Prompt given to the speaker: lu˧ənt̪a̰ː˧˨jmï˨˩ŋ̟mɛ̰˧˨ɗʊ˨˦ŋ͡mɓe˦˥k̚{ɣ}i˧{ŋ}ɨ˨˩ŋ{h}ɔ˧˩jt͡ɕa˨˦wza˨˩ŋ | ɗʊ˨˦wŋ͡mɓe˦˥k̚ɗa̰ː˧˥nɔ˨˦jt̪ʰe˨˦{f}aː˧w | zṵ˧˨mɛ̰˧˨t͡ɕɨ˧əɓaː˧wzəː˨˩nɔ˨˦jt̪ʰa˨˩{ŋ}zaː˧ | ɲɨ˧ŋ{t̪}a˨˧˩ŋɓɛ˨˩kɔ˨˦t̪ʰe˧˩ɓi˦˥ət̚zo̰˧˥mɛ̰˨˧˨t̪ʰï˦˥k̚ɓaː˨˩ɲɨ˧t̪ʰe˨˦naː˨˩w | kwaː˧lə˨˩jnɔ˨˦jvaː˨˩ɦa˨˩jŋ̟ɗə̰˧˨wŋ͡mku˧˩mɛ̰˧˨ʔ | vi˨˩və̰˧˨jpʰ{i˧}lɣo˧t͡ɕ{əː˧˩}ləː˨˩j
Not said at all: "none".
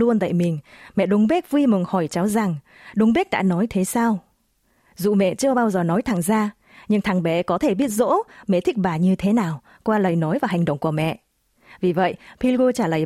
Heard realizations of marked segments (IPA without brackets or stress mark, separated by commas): v, m, h, s, ŋ, t̪ʰ, i˧, aː˧˩